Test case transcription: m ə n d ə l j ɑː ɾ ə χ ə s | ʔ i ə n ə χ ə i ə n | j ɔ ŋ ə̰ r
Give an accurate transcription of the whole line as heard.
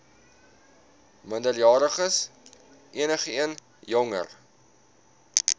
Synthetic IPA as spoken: m ə n d ə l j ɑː ɾ ə χ ə s | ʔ i ə n ə χ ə i ə n | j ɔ ŋ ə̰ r